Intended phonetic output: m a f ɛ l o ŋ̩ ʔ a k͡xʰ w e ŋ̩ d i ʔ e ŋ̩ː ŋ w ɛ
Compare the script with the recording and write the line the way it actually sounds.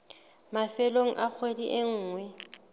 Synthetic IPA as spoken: m a f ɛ l o ŋ̩ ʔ a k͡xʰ w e d i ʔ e ŋ̩ː ŋ w ɛ